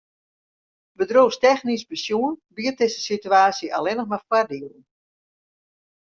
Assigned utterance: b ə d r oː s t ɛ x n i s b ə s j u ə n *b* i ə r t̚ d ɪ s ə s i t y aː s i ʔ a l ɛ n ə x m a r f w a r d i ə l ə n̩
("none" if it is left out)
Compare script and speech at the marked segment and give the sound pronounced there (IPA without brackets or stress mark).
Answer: b